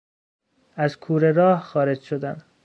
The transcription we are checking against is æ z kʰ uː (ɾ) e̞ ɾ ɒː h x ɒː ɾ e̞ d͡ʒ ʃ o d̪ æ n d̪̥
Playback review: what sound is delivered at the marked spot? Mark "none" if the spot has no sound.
ɾ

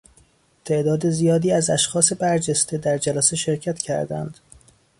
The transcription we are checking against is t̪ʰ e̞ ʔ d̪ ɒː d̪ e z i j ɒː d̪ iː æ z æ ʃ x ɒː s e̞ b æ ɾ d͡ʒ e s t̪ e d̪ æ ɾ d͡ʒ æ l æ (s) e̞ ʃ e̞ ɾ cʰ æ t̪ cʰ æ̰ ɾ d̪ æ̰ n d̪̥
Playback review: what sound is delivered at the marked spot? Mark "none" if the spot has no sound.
s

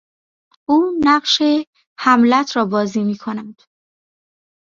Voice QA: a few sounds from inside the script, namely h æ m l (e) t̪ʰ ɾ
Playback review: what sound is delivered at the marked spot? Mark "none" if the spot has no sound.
æ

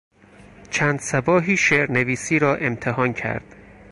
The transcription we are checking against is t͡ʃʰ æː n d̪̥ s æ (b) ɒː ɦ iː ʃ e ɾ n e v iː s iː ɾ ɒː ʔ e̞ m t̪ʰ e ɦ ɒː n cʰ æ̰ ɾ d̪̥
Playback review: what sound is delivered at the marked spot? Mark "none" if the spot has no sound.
b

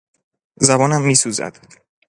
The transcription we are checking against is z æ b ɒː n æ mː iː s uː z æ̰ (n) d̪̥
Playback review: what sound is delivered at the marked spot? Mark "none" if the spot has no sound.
none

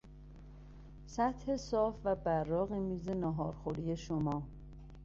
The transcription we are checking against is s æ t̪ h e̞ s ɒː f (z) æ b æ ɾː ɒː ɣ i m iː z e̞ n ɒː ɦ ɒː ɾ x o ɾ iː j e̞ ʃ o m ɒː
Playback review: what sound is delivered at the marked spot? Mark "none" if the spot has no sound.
v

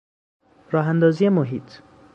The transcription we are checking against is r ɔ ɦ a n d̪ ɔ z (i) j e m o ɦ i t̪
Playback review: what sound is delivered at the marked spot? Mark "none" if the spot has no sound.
i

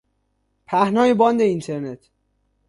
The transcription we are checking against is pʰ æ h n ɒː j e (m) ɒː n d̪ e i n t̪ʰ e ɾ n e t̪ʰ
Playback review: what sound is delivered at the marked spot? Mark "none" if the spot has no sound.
b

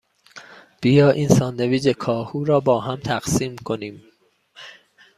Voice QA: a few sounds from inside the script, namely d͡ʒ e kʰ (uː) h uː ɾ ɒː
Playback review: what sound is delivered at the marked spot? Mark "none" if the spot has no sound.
ɒː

